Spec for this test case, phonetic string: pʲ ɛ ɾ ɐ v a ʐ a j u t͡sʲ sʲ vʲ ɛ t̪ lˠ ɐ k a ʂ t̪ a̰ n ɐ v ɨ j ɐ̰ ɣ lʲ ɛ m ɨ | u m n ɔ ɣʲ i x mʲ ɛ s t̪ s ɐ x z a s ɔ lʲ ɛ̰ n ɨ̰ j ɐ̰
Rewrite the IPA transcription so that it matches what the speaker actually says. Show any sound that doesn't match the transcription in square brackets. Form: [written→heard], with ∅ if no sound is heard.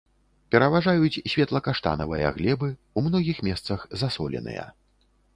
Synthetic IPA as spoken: pʲ ɛ ɾ ɐ v a ʐ a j u t͡sʲ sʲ vʲ ɛ t̪ lˠ ɐ k a ʂ t̪ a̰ n ɐ v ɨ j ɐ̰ ɣ lʲ ɛ [m→b] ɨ | u m n ɔ ɣʲ i x mʲ ɛ s t̪ s ɐ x z a s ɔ lʲ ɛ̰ n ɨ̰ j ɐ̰